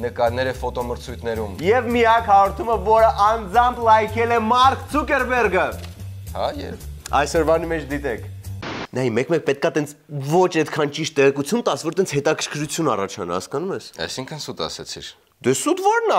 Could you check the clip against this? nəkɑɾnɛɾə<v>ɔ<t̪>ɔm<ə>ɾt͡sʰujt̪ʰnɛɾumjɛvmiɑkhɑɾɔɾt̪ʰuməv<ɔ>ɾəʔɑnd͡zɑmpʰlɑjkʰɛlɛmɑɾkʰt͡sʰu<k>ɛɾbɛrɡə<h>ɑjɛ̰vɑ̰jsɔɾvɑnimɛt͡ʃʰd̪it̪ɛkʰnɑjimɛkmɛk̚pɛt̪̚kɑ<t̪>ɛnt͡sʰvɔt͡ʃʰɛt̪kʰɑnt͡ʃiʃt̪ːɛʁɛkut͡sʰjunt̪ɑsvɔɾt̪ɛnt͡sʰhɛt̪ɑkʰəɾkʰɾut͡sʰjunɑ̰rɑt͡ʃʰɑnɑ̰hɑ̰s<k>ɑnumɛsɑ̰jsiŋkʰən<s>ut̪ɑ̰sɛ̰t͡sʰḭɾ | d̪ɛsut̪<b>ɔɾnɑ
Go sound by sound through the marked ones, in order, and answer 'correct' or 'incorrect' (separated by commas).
incorrect, correct, correct, correct, correct, correct, correct, correct, correct, incorrect